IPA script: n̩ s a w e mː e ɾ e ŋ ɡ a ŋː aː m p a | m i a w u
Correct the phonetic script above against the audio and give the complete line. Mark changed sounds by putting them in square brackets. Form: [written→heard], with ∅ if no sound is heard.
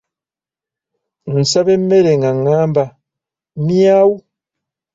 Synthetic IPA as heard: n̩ s a [w→β] e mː e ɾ e ŋ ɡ a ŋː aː m [p→b] a | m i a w u